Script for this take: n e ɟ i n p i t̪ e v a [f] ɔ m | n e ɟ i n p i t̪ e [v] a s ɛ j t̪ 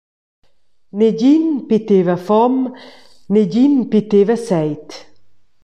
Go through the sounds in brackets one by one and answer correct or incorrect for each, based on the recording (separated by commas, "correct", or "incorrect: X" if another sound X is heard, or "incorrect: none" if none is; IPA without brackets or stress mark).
correct, correct